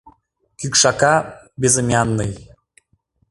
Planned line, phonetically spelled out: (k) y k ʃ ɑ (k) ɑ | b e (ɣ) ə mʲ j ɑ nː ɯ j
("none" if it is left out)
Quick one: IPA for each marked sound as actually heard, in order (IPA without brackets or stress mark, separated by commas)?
k, k, z